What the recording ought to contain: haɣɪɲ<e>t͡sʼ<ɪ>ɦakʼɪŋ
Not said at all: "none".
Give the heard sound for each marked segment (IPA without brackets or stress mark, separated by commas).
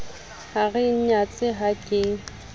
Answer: a, ɪ